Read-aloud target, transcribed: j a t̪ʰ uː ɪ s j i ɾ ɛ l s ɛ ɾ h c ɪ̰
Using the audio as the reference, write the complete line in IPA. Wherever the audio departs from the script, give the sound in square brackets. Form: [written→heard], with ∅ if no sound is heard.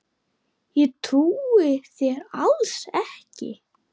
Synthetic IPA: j [a→ɛ] t̪ʰ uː ɪ [s→θ] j [i→ɛ] ɾ [ɛ→a] l s ɛ [ɾ→∅] h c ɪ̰